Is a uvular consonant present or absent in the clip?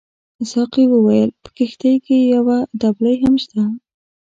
present